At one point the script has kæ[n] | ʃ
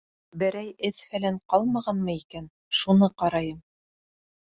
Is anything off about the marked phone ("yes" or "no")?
no